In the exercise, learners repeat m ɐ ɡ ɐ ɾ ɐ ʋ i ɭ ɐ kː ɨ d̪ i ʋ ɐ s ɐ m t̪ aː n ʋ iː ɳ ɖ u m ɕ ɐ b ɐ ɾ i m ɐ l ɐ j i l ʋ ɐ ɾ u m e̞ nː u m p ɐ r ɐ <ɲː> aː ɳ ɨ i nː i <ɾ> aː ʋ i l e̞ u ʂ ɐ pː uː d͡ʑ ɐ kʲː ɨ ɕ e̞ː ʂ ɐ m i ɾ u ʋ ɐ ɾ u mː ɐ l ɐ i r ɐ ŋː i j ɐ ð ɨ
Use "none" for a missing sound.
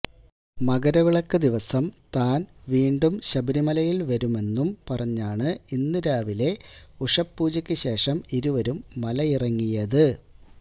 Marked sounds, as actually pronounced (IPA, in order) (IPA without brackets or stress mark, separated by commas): ɲː, ɾ